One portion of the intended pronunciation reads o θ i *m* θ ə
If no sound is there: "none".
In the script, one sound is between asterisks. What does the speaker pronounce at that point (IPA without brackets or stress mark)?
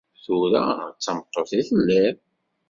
none